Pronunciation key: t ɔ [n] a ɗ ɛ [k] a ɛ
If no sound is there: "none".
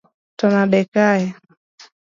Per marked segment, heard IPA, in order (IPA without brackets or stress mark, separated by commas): n, k